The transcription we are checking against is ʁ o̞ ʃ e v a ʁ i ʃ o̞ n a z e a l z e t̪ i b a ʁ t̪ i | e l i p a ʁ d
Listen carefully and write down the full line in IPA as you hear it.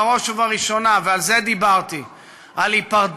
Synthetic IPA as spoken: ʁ o̞ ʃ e v a ʁ i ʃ o̞ n a v e a l z e d̪ i b a ʁ t̪ i | a l i p a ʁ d